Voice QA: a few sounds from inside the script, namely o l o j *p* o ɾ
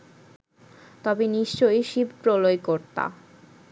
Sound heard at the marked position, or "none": k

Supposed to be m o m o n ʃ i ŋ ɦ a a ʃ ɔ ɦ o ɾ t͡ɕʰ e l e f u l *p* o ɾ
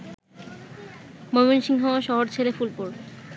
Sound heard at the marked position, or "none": p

